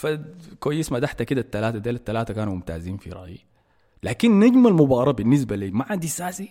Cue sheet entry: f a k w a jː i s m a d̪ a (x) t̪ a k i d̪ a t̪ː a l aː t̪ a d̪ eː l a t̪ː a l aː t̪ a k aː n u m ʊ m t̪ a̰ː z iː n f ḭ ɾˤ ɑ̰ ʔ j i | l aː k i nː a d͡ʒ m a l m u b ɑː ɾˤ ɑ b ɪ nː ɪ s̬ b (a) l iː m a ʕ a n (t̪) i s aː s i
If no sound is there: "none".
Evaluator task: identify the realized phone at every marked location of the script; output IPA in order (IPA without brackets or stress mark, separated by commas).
ħ, a, d̪